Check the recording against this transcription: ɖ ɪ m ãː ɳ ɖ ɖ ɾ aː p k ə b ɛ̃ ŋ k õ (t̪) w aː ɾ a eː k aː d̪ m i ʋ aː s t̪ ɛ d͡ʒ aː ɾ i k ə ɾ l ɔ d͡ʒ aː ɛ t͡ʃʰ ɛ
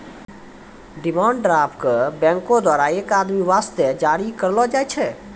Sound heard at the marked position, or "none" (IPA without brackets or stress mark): d̪